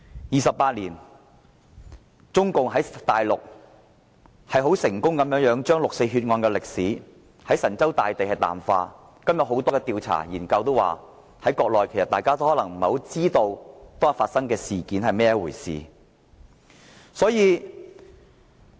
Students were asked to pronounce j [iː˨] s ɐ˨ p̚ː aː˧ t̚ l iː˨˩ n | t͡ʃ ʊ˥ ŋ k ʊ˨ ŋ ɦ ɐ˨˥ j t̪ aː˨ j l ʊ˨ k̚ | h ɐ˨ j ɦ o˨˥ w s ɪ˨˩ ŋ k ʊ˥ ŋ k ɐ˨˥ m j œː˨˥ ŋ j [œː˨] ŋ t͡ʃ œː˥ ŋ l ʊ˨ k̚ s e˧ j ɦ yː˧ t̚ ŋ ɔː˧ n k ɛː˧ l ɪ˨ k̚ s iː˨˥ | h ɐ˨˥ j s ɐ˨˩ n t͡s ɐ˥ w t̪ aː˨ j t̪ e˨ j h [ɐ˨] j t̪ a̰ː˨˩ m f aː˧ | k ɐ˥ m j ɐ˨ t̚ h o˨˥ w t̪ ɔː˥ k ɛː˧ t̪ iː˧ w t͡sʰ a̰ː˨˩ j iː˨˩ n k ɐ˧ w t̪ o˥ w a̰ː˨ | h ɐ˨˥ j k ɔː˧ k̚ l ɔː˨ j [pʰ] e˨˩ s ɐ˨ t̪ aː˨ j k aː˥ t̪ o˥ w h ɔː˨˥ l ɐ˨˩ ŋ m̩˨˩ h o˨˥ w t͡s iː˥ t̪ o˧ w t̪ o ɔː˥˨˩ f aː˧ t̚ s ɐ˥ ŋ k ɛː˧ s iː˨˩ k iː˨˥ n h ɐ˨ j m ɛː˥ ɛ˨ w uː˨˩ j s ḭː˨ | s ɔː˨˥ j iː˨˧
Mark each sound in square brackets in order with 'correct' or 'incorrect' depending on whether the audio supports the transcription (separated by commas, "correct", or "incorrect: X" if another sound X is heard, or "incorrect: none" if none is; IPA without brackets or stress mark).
correct, incorrect: œː˨˥, correct, incorrect: kʰ